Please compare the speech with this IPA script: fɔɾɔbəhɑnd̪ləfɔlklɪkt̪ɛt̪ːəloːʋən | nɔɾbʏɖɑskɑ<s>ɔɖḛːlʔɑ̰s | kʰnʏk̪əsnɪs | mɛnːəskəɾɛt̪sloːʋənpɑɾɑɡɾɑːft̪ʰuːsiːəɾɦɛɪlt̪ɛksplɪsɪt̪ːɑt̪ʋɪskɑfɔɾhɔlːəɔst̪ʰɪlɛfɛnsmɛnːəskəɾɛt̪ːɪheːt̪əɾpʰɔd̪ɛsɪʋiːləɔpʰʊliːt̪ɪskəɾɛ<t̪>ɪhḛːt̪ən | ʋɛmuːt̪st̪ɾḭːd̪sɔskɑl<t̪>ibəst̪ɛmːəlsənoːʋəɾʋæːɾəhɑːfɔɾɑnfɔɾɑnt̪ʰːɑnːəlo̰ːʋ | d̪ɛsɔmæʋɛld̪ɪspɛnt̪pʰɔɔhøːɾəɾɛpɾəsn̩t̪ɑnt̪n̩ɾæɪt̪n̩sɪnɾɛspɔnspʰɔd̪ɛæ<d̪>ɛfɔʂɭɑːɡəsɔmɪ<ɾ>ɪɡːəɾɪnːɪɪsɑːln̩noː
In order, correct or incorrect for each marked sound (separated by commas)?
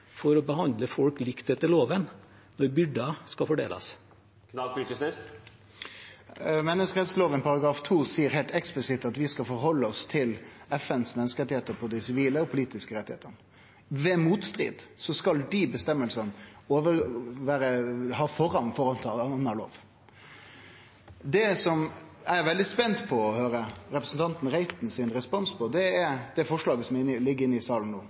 incorrect, correct, incorrect, correct, incorrect